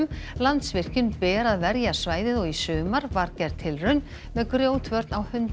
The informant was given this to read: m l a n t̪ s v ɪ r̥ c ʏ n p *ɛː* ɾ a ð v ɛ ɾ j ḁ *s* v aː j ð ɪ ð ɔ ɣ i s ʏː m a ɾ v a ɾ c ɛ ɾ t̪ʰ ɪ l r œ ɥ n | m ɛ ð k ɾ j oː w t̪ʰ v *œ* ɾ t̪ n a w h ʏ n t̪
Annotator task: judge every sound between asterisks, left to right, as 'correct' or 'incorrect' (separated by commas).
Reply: correct, correct, correct